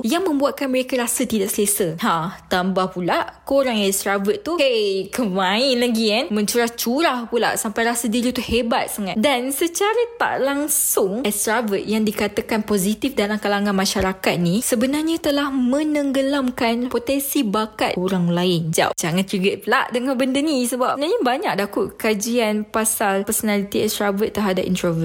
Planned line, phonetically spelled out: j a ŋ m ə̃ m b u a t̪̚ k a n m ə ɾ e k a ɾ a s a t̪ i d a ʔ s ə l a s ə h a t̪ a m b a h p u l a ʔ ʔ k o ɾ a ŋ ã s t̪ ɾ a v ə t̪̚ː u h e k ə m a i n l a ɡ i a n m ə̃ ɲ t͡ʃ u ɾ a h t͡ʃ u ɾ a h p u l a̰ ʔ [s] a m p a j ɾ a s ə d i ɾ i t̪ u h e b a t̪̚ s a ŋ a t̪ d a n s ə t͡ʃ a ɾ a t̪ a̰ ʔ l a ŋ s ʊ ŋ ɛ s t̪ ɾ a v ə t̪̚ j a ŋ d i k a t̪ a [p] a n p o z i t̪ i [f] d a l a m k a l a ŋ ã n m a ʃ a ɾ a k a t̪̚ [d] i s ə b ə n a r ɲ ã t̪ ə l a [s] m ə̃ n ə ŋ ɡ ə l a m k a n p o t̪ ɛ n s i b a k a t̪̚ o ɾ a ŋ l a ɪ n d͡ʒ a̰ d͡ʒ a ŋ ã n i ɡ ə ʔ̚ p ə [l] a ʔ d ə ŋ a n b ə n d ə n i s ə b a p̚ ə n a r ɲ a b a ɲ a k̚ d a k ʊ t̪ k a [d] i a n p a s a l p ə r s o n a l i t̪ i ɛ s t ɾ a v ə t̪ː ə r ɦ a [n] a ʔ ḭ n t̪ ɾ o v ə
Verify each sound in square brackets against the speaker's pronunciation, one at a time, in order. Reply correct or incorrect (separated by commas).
correct, incorrect, correct, incorrect, incorrect, correct, incorrect, incorrect